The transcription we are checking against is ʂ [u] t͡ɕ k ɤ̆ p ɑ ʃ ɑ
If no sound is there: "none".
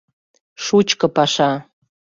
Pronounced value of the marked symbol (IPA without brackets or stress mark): u